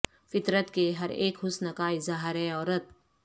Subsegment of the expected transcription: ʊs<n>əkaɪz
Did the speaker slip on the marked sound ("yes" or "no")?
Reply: no